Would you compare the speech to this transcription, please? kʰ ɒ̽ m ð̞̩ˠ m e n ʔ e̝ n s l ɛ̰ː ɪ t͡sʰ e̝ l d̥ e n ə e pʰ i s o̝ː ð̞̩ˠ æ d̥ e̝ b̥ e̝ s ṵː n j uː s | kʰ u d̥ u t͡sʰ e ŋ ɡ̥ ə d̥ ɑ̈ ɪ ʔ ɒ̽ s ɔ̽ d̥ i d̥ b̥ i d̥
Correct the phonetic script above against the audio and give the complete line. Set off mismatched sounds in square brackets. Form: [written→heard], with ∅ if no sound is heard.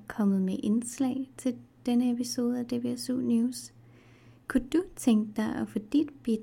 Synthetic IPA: kʰ ɒ̽ m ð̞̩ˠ m e [n→∅] ʔ e̝ n s l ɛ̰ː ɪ t͡sʰ e̝ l d̥ e n ə e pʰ i s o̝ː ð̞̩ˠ æ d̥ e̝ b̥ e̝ s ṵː n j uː s | kʰ u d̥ u t͡sʰ e ŋ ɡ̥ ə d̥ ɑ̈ ɪ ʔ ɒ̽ [s→f] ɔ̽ d̥ i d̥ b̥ i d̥